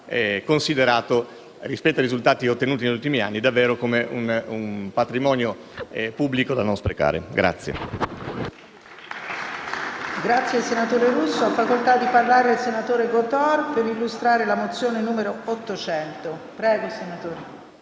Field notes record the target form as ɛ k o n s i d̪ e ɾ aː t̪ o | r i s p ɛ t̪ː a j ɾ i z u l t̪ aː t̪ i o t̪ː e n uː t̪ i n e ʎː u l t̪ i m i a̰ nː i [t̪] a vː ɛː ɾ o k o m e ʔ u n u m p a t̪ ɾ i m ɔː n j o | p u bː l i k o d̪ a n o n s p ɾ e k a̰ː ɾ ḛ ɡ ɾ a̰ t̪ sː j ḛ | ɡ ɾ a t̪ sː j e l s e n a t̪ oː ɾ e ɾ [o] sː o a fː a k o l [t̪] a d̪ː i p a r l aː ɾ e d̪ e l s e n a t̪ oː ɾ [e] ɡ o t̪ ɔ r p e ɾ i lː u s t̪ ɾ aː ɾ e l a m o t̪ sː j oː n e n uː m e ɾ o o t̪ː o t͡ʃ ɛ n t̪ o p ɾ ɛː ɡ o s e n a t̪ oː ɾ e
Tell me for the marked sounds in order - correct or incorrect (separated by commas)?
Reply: incorrect, incorrect, correct, correct